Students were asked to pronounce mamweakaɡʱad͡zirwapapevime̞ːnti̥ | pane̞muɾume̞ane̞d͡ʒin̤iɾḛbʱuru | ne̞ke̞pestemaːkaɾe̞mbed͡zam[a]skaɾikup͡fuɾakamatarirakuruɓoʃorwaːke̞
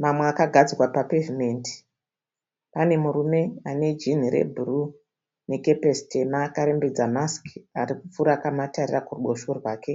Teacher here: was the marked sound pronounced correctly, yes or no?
yes